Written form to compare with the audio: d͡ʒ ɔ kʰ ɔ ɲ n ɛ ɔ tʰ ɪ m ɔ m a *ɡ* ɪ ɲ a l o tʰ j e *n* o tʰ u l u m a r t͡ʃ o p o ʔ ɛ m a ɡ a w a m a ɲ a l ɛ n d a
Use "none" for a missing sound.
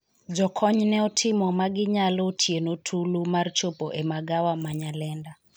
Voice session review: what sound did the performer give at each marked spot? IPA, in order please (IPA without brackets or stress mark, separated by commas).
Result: ɡ, n